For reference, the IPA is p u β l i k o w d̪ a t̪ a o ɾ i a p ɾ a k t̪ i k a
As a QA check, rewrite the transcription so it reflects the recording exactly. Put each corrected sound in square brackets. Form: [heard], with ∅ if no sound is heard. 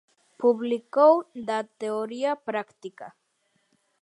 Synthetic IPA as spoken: p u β l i k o w d̪ a t̪ [e] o ɾ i a p ɾ a k t̪ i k a

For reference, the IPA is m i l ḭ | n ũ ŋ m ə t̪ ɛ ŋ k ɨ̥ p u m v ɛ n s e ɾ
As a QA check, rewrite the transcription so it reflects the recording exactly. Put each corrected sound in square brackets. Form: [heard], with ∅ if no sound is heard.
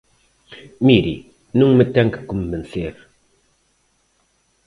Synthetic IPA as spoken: m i [ɾ] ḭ | n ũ ŋ m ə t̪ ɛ ŋ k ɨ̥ [k] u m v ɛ n s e ɾ

